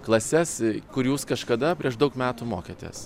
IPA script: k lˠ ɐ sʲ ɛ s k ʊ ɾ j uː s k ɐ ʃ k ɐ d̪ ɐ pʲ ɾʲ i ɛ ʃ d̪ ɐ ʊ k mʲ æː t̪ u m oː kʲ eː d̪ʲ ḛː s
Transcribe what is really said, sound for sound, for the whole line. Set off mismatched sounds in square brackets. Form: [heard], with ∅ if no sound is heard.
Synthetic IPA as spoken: k lˠ ɐ sʲ ɛ s k ʊ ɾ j uː s k ɐ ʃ k ɐ d̪ ɐ pʲ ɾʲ i ɛ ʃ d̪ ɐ ʊ k mʲ æː t̪ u m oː kʲ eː [t̪ʲ] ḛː s